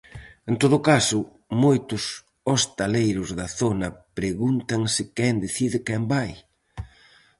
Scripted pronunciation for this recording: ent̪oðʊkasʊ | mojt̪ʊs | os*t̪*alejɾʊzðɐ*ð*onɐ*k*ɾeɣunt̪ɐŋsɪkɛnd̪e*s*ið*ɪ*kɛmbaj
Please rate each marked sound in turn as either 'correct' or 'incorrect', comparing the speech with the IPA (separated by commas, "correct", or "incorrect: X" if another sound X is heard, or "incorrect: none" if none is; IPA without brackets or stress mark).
correct, incorrect: θ, incorrect: p, incorrect: θ, correct